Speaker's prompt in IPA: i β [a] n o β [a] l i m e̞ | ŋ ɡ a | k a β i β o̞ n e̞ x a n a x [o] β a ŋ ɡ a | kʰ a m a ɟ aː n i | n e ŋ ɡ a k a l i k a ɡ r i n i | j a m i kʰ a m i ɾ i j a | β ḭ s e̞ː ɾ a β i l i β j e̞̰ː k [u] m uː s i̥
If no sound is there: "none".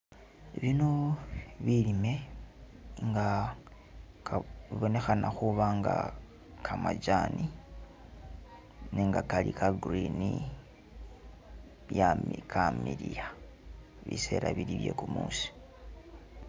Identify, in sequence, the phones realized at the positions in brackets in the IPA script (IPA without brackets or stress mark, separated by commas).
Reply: i, i, u, u